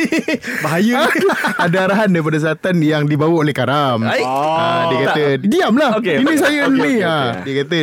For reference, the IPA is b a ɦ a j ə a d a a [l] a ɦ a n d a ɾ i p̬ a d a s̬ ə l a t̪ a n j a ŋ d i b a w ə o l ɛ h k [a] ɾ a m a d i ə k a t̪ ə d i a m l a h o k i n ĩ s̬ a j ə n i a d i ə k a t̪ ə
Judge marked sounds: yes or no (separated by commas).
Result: no, yes